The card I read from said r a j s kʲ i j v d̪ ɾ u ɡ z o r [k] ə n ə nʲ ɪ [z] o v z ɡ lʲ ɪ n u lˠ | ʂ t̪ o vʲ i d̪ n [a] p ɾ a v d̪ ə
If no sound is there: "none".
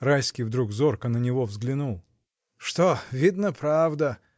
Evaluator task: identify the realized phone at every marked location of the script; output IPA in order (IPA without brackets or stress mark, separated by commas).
k, v, ə